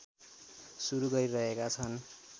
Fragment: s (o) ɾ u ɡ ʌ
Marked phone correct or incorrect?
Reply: incorrect